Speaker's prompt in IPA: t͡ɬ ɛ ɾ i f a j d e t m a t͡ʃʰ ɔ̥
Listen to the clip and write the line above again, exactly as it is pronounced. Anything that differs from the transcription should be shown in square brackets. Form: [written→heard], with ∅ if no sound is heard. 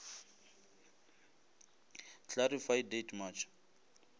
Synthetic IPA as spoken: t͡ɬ [ɛ→a] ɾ i f a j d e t m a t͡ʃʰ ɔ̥